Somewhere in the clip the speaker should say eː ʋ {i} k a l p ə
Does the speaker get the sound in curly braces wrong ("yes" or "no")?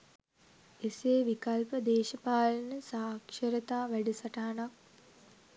no